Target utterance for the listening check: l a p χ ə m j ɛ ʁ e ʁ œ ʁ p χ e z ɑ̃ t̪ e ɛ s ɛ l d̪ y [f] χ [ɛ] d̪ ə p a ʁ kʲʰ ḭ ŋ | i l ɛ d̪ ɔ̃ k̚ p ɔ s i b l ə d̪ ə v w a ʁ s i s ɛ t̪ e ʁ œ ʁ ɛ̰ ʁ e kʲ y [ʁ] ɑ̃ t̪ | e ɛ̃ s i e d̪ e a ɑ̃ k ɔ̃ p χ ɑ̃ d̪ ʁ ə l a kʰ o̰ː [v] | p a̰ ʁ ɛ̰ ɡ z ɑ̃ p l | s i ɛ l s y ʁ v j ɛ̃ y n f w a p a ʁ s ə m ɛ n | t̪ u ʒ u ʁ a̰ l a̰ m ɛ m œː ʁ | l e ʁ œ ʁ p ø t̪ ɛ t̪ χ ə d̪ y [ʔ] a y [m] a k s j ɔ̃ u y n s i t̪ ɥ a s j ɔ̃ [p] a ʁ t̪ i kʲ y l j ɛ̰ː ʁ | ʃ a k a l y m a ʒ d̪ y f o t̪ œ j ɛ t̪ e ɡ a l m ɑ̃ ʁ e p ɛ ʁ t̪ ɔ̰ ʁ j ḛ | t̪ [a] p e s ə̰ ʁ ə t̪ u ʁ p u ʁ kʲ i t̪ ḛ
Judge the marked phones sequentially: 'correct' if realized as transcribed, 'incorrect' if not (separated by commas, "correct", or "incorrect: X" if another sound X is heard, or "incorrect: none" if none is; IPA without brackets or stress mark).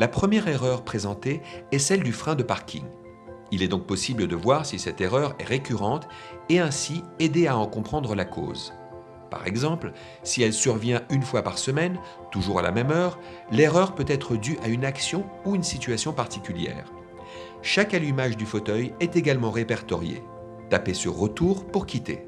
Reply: correct, incorrect: ɛ̃, correct, incorrect: z, correct, incorrect: n, correct, correct